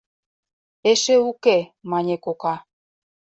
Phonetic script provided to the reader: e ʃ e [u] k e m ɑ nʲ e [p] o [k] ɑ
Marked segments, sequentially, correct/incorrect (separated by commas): correct, incorrect, correct